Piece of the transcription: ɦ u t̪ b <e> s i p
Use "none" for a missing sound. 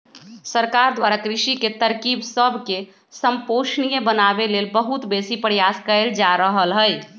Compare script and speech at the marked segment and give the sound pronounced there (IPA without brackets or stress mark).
e